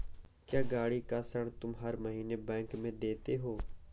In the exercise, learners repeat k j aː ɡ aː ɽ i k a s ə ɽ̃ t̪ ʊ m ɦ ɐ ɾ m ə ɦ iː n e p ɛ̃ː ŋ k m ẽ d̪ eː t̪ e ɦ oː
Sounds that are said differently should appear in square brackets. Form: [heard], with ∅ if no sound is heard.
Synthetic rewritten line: k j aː ɡ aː ɽ i k a s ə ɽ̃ t̪ ʊ m ɦ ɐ ɾ m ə ɦ iː n e [b] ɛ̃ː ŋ k m ẽ d̪ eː t̪ e ɦ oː

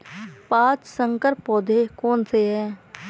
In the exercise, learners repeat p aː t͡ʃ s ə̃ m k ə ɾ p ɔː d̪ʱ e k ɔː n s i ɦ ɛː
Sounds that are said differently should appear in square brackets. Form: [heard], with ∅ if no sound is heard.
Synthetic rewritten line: p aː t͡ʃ s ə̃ [ŋ] k ə ɾ p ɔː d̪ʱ e k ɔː n s [e] ɦ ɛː

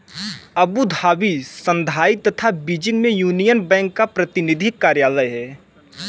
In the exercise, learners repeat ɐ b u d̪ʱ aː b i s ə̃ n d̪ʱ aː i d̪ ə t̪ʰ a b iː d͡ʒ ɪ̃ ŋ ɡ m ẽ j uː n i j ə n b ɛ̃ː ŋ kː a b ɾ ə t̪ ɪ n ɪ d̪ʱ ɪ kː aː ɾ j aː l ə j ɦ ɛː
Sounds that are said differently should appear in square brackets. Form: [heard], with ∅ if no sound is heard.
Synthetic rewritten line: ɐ b u d̪ʱ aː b i s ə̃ n d̪ʱ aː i [t̪] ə t̪ʰ a b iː d͡ʒ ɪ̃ ŋ ɡ m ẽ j uː n i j ə n b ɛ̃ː ŋ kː a [p] ɾ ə t̪ ɪ n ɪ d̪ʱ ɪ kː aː ɾ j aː l ə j ɦ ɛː

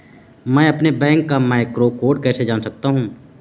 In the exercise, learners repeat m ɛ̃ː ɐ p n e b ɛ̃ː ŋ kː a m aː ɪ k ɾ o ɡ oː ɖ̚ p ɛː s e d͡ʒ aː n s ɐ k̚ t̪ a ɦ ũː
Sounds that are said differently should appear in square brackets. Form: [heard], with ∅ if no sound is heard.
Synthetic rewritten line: m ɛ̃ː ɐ p n e b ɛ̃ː ŋ kː a m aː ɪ k ɾ o [k] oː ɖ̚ [k] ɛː s e d͡ʒ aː n s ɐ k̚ t̪ a ɦ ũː

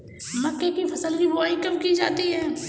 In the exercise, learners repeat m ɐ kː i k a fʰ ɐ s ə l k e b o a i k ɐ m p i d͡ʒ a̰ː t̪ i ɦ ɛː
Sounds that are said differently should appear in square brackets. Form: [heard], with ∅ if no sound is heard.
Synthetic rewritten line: m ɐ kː [e] k [i] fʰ ɐ s ə l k [i] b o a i k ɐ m [k] i d͡ʒ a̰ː t̪ i ɦ ɛː

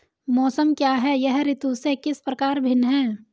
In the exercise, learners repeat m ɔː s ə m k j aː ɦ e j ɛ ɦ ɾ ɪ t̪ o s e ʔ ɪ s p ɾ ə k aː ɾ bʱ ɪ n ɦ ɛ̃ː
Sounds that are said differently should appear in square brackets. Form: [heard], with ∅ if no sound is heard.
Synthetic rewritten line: m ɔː s ə m k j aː ɦ [ɛ] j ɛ ɦ ɾ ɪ t̪ [u] s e [k] ɪ s p ɾ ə k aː ɾ bʱ ɪ n ɦ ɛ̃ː

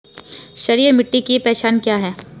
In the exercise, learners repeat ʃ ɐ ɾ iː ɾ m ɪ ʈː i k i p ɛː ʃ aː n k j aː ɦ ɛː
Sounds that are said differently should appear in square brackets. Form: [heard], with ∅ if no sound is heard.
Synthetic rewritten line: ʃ ɐ ɾ iː ɾ m ɪ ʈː i k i p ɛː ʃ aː n k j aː ɦ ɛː

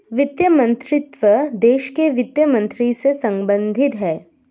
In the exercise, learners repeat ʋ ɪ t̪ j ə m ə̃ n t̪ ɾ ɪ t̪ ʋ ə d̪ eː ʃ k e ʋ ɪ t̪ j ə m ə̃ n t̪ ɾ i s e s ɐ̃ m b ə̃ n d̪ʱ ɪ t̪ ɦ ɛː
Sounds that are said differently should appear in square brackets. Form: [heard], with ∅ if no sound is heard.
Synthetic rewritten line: ʋ ɪ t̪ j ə m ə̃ n t̪ ɾ ɪ t̪ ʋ ə d̪ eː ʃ k e ʋ ɪ t̪ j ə m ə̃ n t̪ ɾ i s e s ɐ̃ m b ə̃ n d̪ʱ ɪ t̪ ɦ ɛː

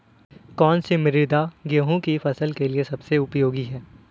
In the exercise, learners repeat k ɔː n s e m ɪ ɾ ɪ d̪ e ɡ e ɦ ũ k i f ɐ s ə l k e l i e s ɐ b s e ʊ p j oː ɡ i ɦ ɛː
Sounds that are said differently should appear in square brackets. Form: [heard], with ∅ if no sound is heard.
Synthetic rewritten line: k ɔː n s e m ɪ ɾ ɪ d̪ [a] ɡ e ɦ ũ k i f ɐ s ə l k e l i e s ɐ b s e ʊ p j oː ɡ i ɦ ɛː

